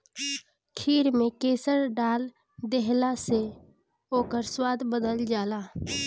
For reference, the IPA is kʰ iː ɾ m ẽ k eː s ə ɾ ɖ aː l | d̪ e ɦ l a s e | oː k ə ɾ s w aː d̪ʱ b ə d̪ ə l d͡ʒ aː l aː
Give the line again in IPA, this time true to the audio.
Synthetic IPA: kʰ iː ɾ m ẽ k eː s ə ɾ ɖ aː l | d̪ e ɦ l a s e | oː k ə ɾ s w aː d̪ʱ b ə d̪ ə l d͡ʒ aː l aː